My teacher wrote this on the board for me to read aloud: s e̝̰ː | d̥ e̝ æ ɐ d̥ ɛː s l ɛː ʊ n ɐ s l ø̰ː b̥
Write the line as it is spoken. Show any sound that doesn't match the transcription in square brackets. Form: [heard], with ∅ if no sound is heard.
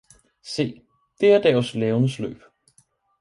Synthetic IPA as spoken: s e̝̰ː | d̥ e̝ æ ɐ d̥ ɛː s l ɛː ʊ n [ə] s l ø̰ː b̥